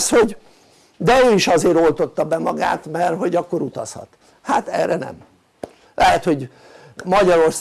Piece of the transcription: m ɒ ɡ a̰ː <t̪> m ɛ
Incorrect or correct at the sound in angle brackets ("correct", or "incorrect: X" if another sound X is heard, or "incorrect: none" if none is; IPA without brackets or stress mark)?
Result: correct